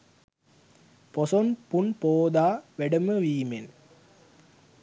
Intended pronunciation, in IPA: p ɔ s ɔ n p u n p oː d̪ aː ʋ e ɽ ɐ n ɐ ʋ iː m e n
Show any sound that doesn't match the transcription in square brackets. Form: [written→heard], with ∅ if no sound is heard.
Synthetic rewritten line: p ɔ s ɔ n p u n p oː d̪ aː ʋ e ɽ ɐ [n→m] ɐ ʋ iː m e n